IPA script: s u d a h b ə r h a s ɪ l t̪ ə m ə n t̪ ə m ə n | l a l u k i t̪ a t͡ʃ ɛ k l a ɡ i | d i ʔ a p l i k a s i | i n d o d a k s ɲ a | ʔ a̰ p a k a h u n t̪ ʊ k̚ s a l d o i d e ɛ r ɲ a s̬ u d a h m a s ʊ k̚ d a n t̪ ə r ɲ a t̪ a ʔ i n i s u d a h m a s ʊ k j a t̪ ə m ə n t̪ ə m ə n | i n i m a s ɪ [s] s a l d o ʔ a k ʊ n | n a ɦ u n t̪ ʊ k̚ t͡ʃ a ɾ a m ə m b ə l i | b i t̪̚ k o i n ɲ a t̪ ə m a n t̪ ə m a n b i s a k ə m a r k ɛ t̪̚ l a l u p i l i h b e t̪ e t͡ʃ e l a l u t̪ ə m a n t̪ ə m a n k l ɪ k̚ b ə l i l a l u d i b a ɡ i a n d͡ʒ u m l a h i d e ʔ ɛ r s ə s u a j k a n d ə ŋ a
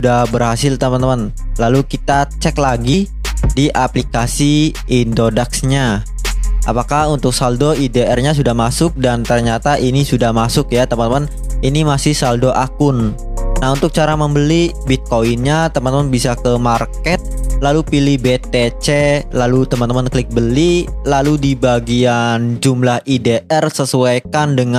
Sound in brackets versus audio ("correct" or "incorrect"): incorrect